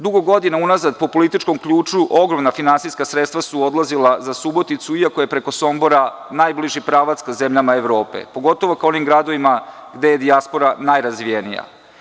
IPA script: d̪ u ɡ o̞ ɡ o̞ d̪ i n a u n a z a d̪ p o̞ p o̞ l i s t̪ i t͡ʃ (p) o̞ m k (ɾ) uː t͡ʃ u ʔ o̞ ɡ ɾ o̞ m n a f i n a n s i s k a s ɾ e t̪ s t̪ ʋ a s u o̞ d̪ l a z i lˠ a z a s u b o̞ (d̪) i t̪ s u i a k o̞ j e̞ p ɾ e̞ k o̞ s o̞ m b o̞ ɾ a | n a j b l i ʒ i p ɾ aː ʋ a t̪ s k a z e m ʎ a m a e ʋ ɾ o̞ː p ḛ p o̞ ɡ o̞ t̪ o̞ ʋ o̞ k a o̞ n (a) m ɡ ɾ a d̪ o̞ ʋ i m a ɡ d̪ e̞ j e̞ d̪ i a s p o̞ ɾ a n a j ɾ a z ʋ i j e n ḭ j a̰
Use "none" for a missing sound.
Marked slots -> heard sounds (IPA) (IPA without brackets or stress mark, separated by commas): k, ʎ, t̪, i